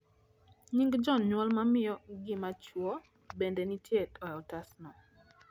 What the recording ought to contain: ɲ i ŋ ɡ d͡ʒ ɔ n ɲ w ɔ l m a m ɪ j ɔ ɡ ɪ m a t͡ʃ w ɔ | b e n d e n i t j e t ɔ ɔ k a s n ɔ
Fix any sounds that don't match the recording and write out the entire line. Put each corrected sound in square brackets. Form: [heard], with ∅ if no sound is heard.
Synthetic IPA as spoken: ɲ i ŋ ɡ d͡ʒ ɔ n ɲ w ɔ l m a m ɪ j ɔ ɡ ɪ m a t͡ʃ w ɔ | b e n d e n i t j e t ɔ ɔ [t] a s n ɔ